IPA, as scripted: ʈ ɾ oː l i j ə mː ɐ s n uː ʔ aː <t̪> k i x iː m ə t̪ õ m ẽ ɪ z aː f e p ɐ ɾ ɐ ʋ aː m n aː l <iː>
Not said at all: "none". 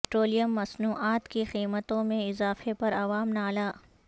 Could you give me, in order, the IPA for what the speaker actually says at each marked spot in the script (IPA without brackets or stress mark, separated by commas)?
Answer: t̪, aː